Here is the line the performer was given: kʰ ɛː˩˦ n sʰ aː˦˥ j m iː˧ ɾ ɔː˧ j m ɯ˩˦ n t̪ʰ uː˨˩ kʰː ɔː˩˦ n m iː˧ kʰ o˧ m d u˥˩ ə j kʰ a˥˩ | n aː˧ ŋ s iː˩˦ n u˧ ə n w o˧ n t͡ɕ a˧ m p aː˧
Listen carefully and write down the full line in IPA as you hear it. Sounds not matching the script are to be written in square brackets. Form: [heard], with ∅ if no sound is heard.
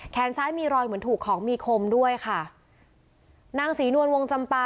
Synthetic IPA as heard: kʰ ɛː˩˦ n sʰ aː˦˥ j m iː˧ ɾ ɔː˧ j m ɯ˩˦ n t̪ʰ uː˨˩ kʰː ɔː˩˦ [ŋ] m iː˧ kʰ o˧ m d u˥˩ ə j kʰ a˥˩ | n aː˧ ŋ s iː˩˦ n u˧ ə n w o˧ [ŋ] t͡ɕ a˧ m p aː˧